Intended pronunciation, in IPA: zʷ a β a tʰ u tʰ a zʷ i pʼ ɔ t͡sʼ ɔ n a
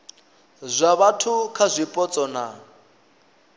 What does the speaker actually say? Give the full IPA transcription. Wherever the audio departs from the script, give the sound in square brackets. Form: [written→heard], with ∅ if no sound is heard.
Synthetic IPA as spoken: zʷ a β a tʰ u [tʰ→kʰ] a zʷ i pʼ ɔ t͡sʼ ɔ n a